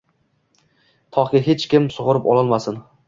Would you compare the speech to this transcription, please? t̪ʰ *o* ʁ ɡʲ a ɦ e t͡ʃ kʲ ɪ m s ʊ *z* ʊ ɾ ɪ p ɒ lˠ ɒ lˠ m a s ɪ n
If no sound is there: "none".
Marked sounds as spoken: ɒ, ʁ

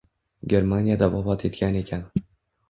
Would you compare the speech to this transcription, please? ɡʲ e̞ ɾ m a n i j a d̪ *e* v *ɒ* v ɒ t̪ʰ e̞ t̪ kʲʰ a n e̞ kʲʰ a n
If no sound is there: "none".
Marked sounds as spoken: a, ɒ

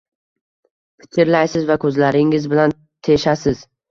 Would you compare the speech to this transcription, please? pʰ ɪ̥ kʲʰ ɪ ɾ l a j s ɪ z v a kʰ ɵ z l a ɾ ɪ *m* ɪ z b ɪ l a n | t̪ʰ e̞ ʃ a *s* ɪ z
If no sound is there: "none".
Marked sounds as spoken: ŋ, s

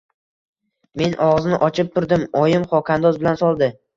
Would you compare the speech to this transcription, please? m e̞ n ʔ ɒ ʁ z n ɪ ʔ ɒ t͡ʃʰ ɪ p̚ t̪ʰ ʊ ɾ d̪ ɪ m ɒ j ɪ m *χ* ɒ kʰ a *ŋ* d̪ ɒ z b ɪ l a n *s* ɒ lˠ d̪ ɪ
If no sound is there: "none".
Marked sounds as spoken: χ, n, s

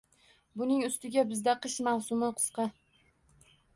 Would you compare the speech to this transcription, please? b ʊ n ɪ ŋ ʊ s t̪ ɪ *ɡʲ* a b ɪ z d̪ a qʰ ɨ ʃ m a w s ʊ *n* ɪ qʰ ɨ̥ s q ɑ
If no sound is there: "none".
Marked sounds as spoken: ɡʲ, m

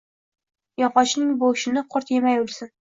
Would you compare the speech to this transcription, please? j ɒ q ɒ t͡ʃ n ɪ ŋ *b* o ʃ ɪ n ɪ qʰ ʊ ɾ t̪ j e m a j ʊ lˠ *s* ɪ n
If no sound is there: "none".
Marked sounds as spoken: b, s

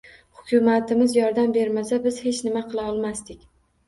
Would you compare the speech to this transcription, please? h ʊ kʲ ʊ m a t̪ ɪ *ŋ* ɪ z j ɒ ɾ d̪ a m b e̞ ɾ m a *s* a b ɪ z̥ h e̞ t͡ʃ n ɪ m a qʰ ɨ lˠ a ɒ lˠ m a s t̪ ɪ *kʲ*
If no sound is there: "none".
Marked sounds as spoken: m, s, kʲ

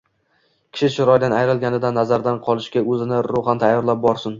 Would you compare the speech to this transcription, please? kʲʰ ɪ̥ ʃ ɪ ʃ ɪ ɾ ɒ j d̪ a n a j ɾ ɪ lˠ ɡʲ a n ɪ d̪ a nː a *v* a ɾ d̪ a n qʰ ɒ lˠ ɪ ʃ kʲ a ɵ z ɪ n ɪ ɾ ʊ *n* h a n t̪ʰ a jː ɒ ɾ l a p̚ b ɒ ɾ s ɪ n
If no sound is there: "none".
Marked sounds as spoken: z, none

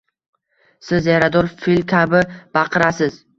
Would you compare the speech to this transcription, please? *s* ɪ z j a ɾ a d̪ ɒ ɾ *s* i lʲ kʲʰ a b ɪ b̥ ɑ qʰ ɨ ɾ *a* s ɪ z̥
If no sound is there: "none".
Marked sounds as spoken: s, f, a

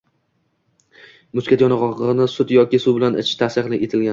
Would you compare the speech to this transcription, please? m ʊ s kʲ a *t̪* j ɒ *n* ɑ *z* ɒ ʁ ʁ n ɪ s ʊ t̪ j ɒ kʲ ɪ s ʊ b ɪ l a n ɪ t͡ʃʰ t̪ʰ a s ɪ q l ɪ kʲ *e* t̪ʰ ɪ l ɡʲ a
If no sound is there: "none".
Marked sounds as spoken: t̪, n, ʁ, e

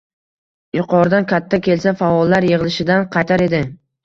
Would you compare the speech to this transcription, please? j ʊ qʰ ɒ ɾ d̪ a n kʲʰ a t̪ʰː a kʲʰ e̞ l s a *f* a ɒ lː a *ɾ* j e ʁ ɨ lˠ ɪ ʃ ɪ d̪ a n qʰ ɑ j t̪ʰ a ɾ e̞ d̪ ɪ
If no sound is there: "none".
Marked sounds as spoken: f, ɾ

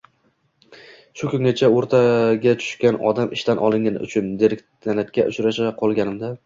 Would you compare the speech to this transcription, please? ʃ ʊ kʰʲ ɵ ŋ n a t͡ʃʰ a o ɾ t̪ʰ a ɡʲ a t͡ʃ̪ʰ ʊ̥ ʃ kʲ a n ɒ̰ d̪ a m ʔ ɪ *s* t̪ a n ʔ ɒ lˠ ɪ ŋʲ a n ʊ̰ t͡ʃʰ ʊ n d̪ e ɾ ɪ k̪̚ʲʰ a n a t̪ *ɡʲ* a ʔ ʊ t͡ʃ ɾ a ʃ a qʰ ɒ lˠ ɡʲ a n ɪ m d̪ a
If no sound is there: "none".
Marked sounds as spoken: ʃ, kʲ

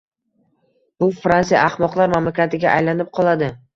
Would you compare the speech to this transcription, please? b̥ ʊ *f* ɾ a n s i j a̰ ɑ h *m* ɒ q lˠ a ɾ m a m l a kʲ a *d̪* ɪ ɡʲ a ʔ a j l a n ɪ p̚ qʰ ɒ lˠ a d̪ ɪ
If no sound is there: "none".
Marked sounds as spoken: f, m, t̪

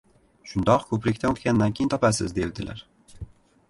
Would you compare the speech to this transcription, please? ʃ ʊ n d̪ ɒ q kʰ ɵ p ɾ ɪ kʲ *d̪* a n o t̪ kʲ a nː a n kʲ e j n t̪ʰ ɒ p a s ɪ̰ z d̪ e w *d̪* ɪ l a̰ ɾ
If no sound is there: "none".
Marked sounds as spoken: t̪, d̪

